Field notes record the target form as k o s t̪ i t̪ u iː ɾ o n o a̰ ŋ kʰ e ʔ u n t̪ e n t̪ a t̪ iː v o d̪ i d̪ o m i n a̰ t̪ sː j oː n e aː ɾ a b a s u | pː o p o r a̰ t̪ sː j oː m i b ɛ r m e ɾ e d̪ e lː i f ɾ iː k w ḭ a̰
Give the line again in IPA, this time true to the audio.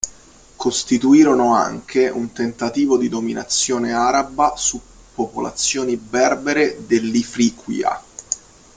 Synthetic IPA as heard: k o s t̪ i t̪ u iː ɾ o n o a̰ ŋ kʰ e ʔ u n t̪ e n t̪ a t̪ iː v o d̪ i d̪ o m i n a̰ t̪ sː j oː n e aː ɾ a b a s u | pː o p o l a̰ t̪ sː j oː n i b ɛ r b e ɾ e d̪ e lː i f ɾ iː k w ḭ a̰